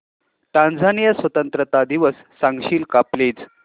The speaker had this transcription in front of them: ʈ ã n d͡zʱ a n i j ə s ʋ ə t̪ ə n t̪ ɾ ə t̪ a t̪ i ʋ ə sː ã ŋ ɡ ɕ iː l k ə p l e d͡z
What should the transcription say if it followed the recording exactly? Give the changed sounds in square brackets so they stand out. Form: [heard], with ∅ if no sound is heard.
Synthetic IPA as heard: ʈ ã n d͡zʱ a n i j ə s ʋ ə t̪ ə n t̪ ɾ ə t̪ a [d̪] i ʋ ə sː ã ŋ ɡ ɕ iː l k [a] p l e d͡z